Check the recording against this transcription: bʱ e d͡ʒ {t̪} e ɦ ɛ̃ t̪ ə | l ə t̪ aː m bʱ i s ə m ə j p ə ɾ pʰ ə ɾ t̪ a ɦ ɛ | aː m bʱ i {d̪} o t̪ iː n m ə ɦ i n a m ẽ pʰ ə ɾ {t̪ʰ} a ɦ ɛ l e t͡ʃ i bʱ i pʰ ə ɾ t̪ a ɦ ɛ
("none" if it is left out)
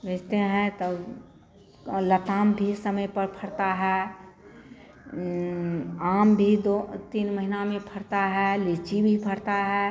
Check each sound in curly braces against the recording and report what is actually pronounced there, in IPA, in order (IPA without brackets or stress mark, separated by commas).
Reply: t̪, d̪, t̪